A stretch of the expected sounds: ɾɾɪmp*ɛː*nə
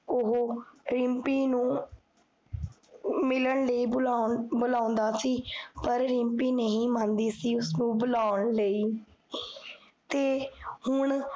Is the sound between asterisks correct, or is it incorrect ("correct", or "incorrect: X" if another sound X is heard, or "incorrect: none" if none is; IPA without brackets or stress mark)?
incorrect: iː